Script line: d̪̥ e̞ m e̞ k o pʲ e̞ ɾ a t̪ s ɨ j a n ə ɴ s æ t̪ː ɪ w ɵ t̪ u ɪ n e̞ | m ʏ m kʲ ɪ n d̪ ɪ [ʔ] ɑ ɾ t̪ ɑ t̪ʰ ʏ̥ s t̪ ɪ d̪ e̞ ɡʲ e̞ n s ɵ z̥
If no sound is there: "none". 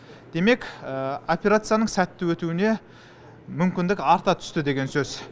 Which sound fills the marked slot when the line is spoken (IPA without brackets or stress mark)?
k